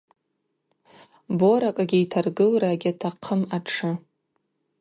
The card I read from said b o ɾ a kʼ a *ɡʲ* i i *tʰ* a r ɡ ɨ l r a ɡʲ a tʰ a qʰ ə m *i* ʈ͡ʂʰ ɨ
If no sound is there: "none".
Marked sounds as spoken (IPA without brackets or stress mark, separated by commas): ɡʲ, tʰ, a